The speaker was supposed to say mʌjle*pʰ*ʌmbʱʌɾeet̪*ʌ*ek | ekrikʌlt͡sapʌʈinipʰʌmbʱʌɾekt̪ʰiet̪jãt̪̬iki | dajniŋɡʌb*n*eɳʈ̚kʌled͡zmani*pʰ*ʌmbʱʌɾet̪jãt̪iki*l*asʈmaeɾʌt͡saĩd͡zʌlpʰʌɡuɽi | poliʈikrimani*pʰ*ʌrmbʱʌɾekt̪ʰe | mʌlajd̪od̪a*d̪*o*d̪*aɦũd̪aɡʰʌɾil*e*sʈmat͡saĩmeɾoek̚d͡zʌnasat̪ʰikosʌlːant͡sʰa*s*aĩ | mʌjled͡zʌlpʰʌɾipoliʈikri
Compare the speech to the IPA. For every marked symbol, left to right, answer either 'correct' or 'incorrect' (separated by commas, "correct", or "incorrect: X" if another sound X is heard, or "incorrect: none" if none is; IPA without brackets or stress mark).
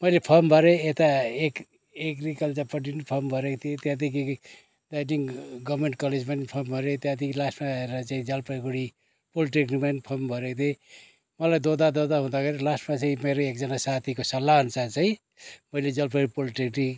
correct, incorrect: a, incorrect: m, correct, correct, correct, correct, correct, incorrect: a, incorrect: t͡s